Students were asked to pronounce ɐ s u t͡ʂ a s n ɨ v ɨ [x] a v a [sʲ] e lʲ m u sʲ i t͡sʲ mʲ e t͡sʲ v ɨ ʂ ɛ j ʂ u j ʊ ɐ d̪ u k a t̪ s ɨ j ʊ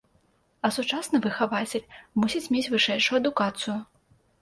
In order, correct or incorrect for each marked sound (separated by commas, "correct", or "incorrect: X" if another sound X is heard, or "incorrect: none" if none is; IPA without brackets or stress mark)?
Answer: correct, incorrect: t͡sʲ